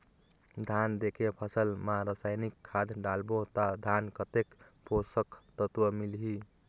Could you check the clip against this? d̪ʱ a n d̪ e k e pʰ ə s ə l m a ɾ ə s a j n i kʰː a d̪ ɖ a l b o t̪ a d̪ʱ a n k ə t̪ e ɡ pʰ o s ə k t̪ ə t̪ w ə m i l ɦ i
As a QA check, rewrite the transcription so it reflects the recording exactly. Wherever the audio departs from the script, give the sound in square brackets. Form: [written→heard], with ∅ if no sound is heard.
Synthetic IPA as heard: d̪ʱ a n d̪ e k e pʰ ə s ə l m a ɾ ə s a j n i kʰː a d̪ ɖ a l b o t̪ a d̪ʱ a n k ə t̪ e [ɡ→k] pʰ o s ə k t̪ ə t̪ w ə m i l ɦ i